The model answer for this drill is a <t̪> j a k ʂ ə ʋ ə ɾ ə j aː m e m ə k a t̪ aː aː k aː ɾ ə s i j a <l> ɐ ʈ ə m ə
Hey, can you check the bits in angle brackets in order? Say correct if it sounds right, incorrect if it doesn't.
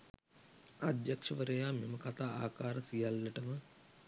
incorrect, incorrect

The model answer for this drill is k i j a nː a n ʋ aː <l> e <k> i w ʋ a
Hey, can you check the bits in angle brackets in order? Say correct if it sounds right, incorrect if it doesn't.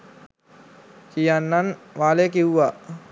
correct, correct

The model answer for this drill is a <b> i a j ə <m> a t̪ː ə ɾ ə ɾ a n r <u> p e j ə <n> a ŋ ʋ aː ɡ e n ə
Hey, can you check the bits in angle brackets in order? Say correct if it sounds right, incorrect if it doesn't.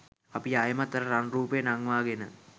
incorrect, correct, incorrect, correct

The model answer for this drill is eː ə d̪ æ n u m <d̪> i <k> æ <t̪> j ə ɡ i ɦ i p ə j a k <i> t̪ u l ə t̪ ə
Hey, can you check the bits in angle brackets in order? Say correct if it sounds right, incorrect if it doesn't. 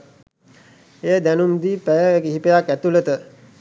correct, incorrect, incorrect, incorrect

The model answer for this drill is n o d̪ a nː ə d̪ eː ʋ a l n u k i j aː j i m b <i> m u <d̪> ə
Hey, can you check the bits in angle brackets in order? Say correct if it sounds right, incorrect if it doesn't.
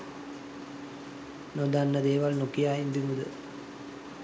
correct, correct

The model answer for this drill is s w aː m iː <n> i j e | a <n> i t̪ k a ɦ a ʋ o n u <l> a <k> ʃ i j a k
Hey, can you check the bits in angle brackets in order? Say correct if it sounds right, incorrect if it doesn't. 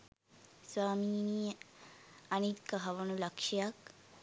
correct, correct, correct, correct

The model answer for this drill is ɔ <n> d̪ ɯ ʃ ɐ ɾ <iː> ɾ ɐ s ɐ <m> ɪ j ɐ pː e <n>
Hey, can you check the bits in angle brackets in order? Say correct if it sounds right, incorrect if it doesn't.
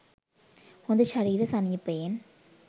correct, correct, incorrect, correct

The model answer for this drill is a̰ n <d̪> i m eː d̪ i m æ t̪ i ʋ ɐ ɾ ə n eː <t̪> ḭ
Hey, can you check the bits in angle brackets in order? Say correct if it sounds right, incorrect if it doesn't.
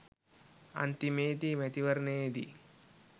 incorrect, incorrect

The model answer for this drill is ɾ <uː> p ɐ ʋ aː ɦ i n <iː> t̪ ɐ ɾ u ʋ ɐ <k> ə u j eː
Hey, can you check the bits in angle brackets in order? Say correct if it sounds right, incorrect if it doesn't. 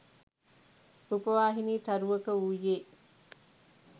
incorrect, correct, correct

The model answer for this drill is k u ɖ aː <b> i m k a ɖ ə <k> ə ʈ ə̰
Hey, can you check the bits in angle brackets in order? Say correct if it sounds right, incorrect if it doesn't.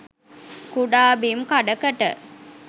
correct, correct

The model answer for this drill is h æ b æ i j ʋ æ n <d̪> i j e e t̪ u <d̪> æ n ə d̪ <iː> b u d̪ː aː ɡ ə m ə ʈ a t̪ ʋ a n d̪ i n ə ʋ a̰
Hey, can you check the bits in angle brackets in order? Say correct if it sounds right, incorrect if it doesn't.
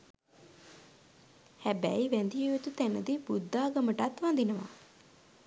correct, incorrect, incorrect

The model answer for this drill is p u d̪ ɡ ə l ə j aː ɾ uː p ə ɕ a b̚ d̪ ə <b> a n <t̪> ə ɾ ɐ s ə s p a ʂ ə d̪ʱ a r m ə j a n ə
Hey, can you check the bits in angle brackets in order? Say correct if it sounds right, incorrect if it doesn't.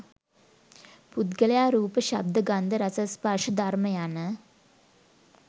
incorrect, incorrect

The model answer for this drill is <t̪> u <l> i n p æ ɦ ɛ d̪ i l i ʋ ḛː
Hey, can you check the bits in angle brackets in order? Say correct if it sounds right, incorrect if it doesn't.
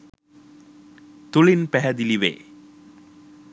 correct, correct

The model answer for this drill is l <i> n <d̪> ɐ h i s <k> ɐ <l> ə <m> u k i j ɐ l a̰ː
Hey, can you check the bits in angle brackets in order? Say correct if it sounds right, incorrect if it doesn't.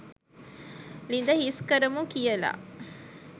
correct, correct, correct, incorrect, correct

